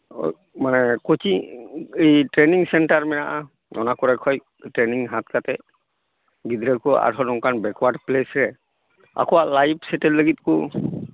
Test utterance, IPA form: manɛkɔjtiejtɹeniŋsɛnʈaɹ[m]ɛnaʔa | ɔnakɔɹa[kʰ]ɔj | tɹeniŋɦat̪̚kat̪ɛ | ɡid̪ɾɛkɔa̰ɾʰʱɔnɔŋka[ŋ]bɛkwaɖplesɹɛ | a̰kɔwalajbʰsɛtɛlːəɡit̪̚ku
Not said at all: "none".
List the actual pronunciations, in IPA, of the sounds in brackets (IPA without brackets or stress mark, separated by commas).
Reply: m, kʰ, n